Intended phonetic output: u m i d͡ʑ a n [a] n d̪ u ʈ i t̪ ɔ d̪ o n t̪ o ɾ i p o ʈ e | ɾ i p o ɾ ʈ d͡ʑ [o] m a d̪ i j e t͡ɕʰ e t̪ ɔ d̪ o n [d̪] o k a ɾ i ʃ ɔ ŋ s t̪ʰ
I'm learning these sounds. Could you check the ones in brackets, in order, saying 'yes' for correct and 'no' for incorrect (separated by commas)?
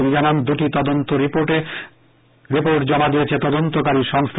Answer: yes, no, no